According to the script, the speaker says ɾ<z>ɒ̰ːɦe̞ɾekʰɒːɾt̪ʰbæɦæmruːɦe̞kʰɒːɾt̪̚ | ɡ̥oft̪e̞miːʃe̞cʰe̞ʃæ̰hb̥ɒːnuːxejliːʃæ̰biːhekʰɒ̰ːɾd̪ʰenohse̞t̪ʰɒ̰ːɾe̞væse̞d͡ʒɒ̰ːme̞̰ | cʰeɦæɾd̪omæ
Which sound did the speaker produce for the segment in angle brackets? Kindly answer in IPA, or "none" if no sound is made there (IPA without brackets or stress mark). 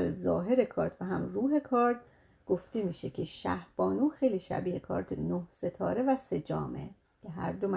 z